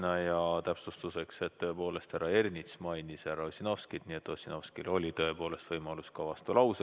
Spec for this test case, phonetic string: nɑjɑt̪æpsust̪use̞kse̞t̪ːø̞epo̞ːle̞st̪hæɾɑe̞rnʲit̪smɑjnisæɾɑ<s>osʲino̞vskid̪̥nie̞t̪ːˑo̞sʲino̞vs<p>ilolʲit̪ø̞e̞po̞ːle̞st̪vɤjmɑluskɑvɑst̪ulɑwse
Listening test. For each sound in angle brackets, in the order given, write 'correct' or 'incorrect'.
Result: incorrect: none, incorrect: k

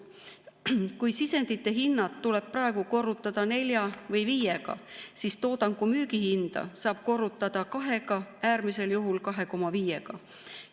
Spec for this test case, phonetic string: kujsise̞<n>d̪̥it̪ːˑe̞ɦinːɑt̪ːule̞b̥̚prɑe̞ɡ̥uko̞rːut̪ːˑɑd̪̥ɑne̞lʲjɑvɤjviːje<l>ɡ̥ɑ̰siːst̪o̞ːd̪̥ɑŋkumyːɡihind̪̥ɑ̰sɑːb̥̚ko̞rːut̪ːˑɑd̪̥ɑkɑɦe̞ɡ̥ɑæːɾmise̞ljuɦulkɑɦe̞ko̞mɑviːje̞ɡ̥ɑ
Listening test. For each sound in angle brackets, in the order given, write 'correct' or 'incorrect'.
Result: correct, incorrect: none

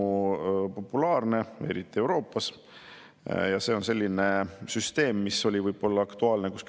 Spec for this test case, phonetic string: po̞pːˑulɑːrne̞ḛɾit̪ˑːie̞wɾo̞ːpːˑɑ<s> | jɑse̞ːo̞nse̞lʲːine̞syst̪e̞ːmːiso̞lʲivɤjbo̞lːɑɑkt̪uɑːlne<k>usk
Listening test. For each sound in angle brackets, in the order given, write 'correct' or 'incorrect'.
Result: correct, correct

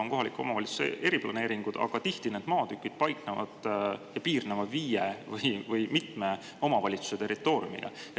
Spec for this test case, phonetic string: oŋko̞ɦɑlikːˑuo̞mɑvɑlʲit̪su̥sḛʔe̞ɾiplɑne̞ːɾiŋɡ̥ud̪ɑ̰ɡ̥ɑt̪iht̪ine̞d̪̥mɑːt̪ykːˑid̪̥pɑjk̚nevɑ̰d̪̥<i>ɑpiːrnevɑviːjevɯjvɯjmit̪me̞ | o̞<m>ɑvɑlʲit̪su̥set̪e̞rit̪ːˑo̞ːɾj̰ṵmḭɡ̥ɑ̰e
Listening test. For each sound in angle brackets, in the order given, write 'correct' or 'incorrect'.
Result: incorrect: j, correct

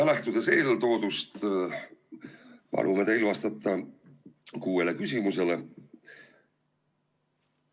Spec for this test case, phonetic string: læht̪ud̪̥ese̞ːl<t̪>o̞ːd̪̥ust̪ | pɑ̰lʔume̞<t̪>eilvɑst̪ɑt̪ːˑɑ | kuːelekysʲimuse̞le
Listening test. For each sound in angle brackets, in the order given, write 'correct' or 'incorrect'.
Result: correct, correct

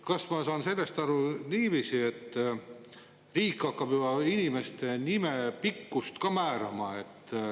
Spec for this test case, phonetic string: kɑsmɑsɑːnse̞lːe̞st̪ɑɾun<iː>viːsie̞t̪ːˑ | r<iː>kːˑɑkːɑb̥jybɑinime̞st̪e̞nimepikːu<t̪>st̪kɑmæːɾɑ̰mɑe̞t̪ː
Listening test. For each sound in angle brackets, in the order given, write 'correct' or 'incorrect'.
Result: correct, correct, incorrect: none

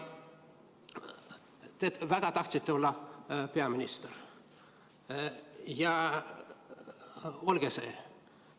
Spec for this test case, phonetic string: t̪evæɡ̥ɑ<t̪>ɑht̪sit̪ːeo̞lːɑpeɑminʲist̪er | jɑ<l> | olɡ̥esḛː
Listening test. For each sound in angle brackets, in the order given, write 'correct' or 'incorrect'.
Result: correct, incorrect: none

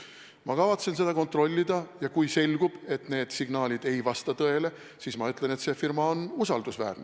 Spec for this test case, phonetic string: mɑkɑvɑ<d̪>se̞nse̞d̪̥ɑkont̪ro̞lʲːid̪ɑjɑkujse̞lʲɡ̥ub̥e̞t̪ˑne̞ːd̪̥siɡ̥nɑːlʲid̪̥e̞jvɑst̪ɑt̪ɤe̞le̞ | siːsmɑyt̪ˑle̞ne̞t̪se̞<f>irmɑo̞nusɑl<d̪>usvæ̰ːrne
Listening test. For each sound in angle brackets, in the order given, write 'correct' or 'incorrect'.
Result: incorrect: t̪, correct, correct

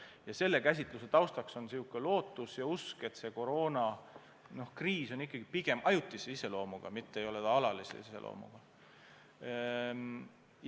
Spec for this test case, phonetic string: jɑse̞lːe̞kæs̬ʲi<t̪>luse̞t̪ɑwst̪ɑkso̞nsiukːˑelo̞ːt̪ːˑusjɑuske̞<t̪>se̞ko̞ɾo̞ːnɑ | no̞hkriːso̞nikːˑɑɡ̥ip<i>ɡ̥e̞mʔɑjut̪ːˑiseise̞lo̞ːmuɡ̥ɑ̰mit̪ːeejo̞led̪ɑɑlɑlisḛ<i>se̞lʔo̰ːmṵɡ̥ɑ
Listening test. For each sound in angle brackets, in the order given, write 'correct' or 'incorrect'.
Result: correct, correct, correct, correct

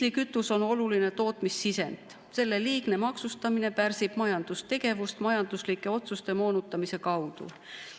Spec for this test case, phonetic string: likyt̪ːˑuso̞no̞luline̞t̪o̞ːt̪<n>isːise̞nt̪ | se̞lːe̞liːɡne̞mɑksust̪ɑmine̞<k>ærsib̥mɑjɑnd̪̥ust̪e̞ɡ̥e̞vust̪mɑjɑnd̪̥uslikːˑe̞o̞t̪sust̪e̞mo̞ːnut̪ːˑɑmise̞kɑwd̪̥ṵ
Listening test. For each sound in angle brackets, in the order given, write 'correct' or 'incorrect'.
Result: incorrect: m, incorrect: p

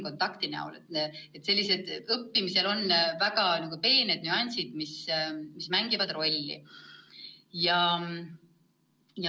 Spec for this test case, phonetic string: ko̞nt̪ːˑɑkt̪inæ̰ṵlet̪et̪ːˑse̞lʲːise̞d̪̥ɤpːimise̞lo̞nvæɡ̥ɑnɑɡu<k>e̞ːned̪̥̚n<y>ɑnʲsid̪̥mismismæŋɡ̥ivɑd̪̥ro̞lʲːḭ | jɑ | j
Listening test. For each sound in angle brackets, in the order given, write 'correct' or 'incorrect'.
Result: incorrect: p, correct

